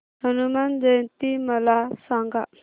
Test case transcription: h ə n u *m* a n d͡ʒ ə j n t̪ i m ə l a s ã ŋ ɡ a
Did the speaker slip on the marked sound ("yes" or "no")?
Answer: no